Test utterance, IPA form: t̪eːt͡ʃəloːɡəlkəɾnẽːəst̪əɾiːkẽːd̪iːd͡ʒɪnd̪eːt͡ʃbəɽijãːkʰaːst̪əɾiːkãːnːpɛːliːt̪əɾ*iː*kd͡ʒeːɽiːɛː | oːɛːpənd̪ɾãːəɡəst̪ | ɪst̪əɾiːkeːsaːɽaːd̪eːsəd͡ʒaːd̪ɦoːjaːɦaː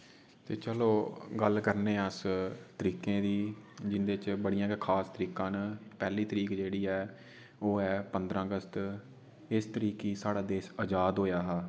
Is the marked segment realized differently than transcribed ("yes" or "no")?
no